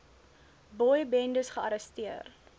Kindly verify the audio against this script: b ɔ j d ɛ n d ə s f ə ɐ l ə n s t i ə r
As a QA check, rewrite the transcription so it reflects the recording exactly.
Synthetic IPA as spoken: b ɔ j b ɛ n d ə s χ ə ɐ ɾ ə s t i ə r